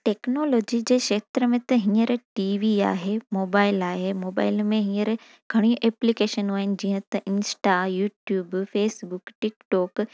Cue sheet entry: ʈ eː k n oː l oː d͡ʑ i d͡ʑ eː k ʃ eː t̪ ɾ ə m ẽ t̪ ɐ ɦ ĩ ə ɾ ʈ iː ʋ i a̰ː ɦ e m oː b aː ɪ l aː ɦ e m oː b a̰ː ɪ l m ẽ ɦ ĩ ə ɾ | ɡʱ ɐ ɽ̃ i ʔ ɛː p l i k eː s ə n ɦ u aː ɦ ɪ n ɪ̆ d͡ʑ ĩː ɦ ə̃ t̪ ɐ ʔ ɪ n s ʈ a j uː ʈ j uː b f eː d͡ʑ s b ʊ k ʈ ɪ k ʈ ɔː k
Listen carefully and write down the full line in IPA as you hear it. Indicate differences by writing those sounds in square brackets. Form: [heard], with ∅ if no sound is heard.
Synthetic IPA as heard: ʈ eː k n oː l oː d͡ʑ i d͡ʑ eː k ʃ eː t̪ ɾ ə m ẽ t̪ ɐ ɦ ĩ ə ɾ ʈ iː ʋ i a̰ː ɦ e m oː b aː ɪ l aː ɦ e m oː b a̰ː ɪ l m ẽ ɦ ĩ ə ɾ | ɡʱ ɐ ɽ̃ i ʔ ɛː p l i k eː [ʃ] ə n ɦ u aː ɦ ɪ n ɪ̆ d͡ʑ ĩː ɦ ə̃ t̪ ɐ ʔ ɪ n s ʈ a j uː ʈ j uː b f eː [∅] s b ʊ k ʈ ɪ k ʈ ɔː k